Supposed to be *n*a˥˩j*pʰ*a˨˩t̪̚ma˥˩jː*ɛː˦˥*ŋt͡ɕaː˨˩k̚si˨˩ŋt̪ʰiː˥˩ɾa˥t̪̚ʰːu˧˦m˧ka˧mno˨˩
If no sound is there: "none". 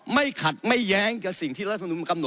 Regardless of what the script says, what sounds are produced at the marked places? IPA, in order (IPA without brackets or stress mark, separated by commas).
m, kʰ, ɛː˦˥